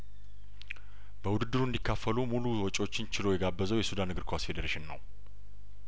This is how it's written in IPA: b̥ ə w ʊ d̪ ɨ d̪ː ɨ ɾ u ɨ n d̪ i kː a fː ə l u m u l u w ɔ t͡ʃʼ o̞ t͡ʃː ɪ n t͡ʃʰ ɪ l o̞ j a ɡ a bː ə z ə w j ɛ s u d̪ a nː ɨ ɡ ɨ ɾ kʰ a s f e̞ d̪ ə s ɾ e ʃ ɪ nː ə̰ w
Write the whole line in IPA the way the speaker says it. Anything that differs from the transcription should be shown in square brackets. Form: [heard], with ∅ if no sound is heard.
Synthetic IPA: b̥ ə w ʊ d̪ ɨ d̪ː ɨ ɾ u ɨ n d̪ i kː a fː ə l u m u l u w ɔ t͡ʃʼ o̞ t͡ʃː ɪ n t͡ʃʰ ɪ l o̞ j [ɛ] ɡ a bː ə z ə w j ɛ s u d̪ a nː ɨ ɡ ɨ ɾ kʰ a s f e̞ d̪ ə [∅] ɾ e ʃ ɪ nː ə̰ w